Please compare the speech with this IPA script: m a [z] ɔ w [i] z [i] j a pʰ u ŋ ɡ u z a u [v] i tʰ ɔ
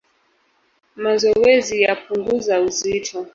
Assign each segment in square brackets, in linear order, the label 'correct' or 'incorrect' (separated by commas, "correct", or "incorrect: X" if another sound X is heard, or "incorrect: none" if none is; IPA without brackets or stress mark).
correct, incorrect: ɛ, correct, incorrect: z